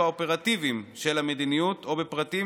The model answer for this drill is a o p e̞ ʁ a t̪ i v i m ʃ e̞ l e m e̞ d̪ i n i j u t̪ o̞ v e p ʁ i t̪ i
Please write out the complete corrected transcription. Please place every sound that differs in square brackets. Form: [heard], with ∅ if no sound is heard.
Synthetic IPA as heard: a o p e̞ ʁ a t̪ i v i m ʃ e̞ l [a] m e̞ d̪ i n i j u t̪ o̞ [b] e p ʁ [a] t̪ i